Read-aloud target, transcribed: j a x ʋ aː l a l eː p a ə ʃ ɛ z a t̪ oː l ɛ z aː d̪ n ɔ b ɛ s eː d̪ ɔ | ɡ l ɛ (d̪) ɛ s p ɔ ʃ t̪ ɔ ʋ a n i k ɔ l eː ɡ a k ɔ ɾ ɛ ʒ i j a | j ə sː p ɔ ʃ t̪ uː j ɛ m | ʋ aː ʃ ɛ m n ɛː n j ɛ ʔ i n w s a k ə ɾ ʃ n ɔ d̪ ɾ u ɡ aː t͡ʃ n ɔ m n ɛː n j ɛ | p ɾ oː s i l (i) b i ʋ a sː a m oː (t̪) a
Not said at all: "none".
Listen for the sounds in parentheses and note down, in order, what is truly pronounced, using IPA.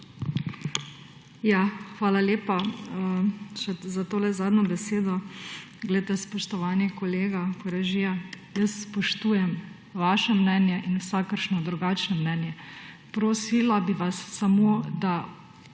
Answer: t̪, a, d̪

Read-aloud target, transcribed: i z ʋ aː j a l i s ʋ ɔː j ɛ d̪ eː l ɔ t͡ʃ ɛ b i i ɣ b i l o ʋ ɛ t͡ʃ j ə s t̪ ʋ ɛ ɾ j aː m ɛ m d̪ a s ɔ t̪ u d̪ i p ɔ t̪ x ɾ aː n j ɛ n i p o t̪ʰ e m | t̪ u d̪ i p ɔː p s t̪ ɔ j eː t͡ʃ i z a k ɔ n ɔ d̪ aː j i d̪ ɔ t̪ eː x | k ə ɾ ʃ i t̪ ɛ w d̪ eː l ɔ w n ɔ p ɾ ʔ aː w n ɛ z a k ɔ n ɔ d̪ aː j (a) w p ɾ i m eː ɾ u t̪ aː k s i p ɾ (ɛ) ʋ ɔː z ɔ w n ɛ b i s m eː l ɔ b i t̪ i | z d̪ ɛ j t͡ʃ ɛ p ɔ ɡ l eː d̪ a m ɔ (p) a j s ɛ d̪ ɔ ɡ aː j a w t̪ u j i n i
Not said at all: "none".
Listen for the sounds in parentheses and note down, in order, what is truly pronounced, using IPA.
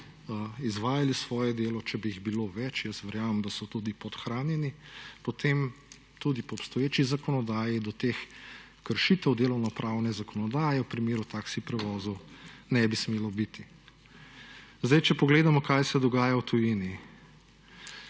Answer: ɛ, ɛ, k

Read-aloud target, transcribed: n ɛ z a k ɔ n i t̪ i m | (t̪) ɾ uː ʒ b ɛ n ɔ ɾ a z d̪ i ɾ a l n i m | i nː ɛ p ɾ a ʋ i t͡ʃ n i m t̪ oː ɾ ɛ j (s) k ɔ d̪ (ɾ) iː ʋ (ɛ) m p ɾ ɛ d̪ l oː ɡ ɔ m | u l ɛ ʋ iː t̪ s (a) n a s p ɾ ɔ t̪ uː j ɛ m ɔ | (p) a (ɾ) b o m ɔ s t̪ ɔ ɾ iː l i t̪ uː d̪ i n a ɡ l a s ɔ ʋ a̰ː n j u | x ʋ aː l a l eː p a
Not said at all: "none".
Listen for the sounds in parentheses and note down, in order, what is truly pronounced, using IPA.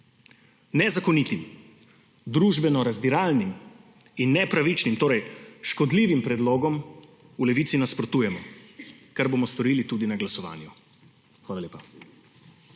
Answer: d̪, ʃ, l, i, i, k, ɾ

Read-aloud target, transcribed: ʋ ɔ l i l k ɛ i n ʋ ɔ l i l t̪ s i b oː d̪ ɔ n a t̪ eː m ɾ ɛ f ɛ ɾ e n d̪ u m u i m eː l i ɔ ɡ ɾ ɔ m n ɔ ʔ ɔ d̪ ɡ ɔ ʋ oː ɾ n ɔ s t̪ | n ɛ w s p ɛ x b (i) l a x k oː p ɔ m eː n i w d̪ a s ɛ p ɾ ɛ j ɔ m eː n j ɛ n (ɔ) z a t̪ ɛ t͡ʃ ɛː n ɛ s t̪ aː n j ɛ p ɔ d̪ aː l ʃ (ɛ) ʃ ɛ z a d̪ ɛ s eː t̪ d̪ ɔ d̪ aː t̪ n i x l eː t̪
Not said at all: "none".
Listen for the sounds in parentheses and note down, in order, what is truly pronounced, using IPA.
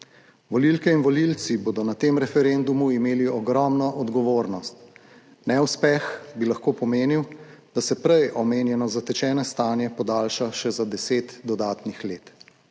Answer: i, ɔ, a

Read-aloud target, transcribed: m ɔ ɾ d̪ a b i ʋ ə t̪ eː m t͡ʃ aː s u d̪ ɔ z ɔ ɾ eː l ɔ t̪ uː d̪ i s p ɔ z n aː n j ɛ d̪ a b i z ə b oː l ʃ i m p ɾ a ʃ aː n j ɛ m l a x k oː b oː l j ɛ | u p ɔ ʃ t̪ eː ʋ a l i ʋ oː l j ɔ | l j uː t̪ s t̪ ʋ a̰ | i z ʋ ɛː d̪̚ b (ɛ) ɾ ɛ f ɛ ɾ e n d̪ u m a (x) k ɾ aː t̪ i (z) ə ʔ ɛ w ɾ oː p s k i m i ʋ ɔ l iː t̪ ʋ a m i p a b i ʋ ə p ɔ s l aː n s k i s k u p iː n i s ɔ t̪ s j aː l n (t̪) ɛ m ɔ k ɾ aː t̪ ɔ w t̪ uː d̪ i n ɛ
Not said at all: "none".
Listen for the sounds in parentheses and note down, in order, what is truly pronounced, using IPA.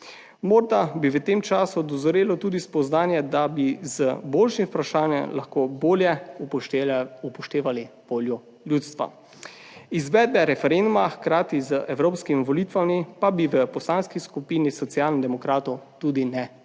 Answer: ɛ, x, z, d̪

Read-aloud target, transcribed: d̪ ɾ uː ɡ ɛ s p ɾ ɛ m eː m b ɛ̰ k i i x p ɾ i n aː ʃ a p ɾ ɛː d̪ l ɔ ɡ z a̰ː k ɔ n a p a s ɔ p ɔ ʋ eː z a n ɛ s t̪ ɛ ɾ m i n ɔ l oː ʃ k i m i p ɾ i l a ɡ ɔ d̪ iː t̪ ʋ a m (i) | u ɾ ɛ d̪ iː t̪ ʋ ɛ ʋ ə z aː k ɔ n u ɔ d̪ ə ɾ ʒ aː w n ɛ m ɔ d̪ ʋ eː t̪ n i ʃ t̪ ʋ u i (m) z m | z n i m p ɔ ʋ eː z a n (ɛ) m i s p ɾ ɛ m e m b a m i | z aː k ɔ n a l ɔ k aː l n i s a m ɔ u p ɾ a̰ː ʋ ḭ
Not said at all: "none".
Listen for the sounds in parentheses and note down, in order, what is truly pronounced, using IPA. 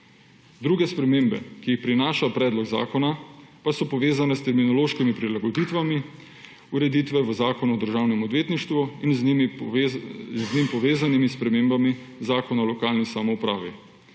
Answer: i, n, i

